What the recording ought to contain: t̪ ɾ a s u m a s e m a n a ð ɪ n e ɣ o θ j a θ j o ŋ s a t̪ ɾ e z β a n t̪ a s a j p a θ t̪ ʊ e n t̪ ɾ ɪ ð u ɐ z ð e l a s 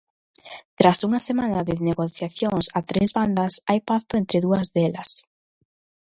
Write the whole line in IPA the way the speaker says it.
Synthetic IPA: t̪ ɾ a s u ŋ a s e m a n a ð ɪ n e ɣ o θ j a θ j o ŋ s a t̪ ɾ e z β a n d̪ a s a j p a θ t̪ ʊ e n t̪ ɾ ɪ ð u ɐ z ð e l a s

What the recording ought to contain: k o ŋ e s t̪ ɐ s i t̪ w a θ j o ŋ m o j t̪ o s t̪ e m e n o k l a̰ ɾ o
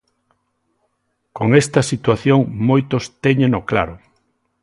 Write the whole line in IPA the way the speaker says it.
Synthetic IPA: k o ŋ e s t̪ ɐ s i t̪ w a θ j o ŋ m o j t̪ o s t̪ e ɲ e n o k l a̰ ɾ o

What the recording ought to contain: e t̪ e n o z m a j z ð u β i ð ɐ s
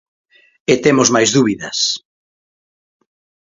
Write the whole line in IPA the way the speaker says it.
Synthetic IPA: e t̪ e m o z m a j z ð u β i ð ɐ s

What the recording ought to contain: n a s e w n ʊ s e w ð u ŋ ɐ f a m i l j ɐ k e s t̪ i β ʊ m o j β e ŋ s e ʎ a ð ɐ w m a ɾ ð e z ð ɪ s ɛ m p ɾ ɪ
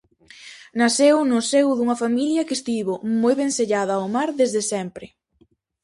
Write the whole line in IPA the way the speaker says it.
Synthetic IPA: n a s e w n ʊ s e w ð u ŋ ɐ f a m i l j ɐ k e s t̪ i β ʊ m o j β e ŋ s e ʎ a ð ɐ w m a ɾ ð e z ð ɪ s ɛ m p ɾ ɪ

